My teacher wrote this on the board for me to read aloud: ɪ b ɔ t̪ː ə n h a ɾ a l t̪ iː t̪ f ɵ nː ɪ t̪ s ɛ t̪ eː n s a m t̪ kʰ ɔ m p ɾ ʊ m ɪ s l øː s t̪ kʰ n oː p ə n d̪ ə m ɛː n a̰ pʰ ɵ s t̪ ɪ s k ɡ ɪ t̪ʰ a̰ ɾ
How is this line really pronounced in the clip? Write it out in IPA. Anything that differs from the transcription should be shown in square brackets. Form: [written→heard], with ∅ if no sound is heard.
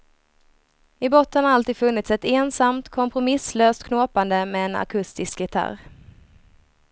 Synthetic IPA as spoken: ɪ b ɔ t̪ː ə n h a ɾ a l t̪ iː [t̪→d̪] f ɵ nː ɪ t̪ s ɛ t̪ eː n s a m t̪ kʰ ɔ m p ɾ ʊ m ɪ s l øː s t̪ kʰ n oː p [ə→a] n d̪ ə m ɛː n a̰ [pʰ→kʰ] ɵ s t̪ ɪ s k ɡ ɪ t̪ʰ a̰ ɾ

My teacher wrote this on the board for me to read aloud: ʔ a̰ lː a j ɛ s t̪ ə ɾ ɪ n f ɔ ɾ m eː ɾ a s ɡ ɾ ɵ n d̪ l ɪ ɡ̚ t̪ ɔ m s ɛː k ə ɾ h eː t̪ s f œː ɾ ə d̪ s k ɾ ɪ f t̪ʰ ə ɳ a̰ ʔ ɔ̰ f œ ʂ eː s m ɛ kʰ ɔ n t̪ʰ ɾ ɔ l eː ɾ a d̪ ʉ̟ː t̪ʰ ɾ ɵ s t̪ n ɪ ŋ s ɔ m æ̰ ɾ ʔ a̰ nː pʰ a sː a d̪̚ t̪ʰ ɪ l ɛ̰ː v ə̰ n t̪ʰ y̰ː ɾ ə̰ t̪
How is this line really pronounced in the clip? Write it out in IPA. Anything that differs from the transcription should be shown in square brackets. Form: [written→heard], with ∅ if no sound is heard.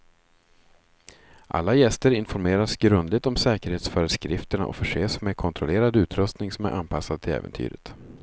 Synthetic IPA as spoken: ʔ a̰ lː a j ɛ s t̪ ə ɾ ɪ n f ɔ ɾ m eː ɾ a s ɡ ɾ ɵ n d̪ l ɪ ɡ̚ t̪ ɔ m s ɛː k ə ɾ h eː t̪ s f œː ɾ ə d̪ s k ɾ ɪ f [t̪ʰ→t̪] ə ɳ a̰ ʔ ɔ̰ f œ ʂ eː s m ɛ kʰ ɔ n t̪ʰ ɾ ɔ l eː ɾ a d̪ ʉ̟ː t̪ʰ ɾ ɵ s t̪ n ɪ ŋ s ɔ m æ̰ ɾ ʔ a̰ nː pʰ a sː a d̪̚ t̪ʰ ɪ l ɛ̰ː v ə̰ n t̪ʰ y̰ː ɾ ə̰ t̪

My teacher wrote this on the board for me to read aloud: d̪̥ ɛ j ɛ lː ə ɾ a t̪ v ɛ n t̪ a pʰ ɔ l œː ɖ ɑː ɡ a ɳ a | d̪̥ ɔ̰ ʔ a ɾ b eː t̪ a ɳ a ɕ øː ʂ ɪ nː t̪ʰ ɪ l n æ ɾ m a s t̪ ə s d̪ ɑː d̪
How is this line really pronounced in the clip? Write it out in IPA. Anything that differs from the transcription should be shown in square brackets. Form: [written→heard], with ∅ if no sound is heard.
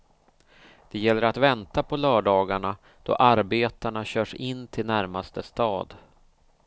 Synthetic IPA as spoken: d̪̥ ɛ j ɛ lː ə ɾ a t̪ v ɛ n t̪ a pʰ ɔ l œː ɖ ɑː ɡ a ɳ a | d̪̥ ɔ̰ ʔ a ɾ b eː t̪ a ɳ a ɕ [øː→œː] ʂ ɪ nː t̪ʰ ɪ l n æ ɾ m a s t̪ ə s [d̪→t̪] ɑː d̪

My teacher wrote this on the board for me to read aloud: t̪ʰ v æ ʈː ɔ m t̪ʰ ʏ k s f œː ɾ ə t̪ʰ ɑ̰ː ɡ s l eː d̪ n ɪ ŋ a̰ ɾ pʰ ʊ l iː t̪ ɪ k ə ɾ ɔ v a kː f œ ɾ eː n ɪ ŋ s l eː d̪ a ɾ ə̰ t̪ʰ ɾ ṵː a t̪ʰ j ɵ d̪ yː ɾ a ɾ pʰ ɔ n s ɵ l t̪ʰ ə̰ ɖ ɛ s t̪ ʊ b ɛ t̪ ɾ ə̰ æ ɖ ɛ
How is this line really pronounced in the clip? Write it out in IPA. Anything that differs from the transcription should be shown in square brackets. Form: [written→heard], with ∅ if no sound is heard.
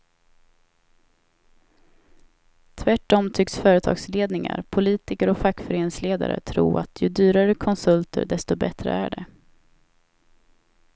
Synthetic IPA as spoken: t̪ʰ v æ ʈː ɔ m t̪ʰ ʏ k s f œː ɾ ə t̪ʰ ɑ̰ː ɡ s l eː d̪ n ɪ ŋ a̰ ɾ pʰ ʊ l iː t̪ ɪ k ə ɾ ɔ [v→f] a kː f œ ɾ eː n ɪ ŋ s l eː d̪ a ɾ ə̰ t̪ʰ ɾ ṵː a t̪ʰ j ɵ d̪ yː ɾ a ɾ [pʰ→kʰ] ɔ n s ɵ l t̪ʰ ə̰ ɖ ɛ s t̪ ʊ b ɛ t̪ ɾ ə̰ æ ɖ ɛ

